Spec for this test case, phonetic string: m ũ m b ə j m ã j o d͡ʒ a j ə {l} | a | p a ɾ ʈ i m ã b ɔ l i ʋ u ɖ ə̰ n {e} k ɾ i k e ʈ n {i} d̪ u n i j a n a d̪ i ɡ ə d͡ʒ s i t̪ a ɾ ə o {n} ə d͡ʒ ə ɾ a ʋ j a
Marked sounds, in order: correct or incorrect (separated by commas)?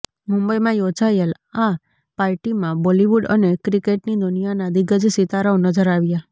correct, correct, correct, correct